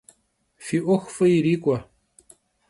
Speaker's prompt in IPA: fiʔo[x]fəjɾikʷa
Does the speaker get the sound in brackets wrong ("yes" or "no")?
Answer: no